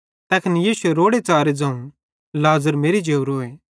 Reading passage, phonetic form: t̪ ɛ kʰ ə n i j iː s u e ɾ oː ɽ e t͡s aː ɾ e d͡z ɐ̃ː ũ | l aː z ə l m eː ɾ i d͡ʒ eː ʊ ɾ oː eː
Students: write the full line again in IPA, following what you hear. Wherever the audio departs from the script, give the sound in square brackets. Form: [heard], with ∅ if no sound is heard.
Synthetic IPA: t̪ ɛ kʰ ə n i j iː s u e ɾ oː ɽ e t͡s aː ɾ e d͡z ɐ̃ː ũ | l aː z ə [ɾ] m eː ɾ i d͡ʒ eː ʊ ɾ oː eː